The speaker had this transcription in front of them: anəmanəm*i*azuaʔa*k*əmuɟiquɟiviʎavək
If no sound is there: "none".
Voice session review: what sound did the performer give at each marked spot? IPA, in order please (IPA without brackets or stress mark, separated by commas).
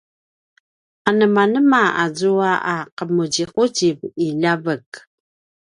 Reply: a, q